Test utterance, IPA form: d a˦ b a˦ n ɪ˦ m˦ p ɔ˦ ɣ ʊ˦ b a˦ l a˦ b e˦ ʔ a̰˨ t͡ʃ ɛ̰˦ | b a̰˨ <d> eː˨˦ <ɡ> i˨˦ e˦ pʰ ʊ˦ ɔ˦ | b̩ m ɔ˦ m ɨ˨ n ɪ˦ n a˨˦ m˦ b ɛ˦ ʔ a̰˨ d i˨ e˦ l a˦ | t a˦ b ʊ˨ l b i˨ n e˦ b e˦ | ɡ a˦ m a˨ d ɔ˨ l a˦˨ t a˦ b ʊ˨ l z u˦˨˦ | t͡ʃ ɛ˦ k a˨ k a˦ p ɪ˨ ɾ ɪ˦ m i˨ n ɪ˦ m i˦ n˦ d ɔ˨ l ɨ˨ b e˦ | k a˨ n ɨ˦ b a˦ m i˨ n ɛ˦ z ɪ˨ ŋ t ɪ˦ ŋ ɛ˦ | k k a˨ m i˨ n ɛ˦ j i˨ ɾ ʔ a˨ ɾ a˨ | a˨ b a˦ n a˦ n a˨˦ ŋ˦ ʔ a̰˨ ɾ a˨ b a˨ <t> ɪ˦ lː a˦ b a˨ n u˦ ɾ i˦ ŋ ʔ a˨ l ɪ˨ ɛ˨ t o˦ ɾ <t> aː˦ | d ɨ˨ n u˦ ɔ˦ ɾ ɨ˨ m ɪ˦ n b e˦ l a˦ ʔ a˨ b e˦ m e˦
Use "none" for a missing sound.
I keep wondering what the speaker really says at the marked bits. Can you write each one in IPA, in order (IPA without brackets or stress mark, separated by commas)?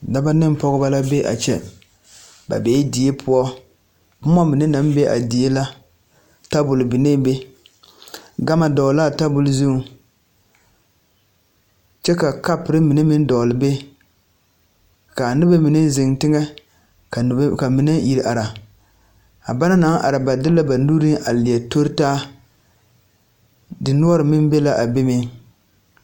b, d, d, t